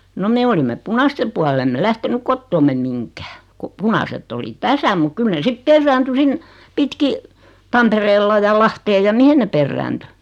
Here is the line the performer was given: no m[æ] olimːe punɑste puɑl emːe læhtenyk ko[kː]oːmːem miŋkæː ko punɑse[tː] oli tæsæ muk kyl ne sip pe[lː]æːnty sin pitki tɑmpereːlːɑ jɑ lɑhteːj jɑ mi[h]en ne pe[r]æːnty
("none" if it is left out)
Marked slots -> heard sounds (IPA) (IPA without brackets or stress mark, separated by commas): e, tː, tː, rː, h, rː